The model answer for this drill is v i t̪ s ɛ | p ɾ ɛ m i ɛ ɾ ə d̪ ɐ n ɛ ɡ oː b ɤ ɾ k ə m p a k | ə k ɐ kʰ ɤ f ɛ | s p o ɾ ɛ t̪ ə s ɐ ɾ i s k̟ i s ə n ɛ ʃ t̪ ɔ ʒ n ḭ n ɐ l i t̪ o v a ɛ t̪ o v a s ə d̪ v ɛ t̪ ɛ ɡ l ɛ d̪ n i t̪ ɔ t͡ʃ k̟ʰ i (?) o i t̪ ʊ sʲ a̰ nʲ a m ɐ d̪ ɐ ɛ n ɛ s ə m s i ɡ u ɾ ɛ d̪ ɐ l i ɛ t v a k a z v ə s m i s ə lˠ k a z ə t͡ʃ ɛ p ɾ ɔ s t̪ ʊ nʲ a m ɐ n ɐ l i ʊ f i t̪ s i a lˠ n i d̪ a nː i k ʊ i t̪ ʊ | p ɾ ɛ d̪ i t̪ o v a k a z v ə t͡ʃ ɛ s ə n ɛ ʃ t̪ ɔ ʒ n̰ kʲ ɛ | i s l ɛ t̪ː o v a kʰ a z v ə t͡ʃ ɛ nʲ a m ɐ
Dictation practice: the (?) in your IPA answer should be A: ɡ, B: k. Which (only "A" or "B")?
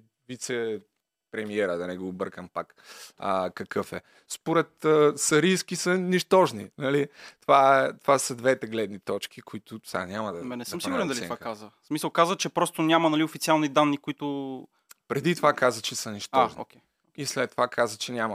B